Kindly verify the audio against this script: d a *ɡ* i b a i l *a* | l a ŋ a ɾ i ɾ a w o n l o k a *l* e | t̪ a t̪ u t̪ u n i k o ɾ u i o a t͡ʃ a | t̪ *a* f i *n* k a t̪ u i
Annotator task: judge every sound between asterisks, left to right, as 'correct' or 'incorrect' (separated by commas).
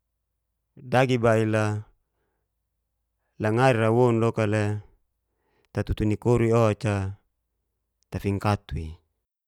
correct, correct, correct, correct, incorrect